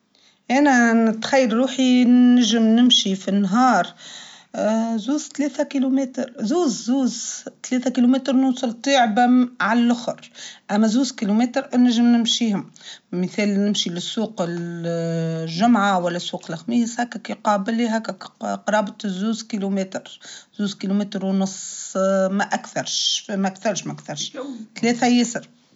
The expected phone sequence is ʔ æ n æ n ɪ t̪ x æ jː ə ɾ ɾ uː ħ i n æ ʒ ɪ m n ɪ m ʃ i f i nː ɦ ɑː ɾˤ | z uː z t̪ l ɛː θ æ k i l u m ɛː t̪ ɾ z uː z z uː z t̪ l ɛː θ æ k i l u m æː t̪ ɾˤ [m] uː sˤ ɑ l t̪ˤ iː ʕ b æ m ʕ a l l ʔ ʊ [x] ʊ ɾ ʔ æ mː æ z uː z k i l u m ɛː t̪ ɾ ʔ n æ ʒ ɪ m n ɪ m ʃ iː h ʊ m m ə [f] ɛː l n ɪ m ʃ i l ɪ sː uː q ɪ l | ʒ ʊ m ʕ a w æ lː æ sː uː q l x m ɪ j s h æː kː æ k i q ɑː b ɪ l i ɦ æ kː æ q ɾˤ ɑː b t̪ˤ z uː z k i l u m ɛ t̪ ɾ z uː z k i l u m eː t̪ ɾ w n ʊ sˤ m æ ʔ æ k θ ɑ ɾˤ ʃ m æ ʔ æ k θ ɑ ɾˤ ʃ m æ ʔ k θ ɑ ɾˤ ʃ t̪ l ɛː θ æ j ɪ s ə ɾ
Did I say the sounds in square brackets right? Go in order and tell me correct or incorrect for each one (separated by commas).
incorrect, correct, incorrect